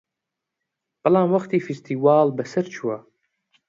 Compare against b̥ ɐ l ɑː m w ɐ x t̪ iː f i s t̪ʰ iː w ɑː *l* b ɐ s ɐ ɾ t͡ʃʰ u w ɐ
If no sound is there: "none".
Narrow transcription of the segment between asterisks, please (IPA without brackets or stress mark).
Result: l